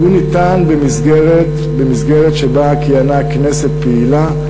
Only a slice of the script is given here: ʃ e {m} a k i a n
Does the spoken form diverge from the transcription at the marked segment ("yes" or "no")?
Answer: yes